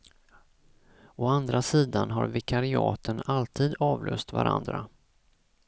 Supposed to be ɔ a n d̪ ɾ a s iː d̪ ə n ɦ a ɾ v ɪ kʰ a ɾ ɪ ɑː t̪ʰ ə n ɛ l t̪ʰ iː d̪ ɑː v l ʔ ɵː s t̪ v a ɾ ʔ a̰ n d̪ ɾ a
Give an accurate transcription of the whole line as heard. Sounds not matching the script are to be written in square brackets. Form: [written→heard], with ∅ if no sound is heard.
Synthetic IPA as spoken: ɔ a n d̪ ɾ a s iː d̪ [ə→a] n ɦ a ɾ v ɪ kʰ a ɾ ɪ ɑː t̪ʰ ə n [ɛ→a] l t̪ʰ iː d̪ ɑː v l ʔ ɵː s t̪ v a ɾ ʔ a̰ n d̪ ɾ a